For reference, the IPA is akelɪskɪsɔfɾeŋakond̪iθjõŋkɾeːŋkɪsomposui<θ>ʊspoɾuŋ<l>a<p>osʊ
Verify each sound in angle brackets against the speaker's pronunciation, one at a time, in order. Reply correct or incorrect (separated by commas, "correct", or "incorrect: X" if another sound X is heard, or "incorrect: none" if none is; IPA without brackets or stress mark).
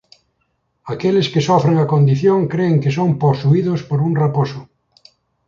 incorrect: ð, incorrect: r, correct